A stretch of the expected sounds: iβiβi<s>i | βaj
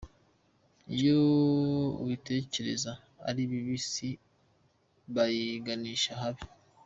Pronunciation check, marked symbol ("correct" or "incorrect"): correct